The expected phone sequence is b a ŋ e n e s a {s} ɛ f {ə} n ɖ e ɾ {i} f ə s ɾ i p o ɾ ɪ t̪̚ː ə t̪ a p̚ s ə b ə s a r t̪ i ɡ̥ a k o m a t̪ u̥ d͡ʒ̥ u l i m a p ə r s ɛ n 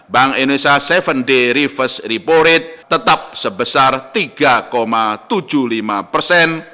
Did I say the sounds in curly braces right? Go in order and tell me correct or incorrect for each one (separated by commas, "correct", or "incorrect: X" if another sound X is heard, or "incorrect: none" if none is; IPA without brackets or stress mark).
correct, correct, correct